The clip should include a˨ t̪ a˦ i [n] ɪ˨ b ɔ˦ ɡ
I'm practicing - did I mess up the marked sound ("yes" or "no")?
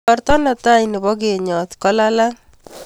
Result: no